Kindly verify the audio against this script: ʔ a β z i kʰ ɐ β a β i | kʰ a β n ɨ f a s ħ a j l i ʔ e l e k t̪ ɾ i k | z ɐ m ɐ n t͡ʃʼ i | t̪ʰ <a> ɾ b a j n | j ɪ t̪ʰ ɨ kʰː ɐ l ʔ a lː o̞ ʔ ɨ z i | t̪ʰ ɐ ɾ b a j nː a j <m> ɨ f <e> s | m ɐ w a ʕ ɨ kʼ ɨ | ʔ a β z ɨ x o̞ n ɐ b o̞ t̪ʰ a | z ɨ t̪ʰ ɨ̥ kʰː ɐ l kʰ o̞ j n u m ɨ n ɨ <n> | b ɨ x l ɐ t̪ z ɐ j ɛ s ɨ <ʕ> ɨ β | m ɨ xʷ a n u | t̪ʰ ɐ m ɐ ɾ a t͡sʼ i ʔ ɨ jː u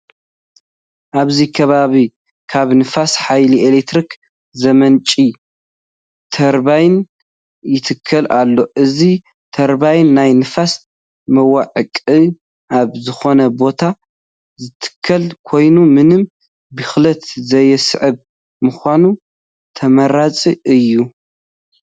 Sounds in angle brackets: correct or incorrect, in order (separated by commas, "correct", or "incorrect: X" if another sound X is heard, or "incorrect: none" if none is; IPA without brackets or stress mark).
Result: incorrect: ɐ, incorrect: n, incorrect: a, incorrect: m, correct